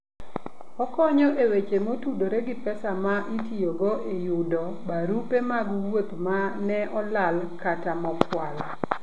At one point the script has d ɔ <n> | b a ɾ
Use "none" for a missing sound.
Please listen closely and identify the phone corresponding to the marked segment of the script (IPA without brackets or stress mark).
none